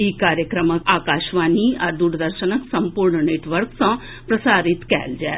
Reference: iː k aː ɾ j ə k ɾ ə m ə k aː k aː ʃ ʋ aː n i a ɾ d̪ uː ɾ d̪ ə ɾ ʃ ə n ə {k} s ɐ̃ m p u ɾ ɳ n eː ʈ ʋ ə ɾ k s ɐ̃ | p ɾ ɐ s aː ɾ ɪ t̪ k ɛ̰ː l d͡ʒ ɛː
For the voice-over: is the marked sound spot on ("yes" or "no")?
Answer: yes